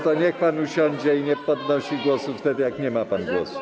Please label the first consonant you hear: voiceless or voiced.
voiceless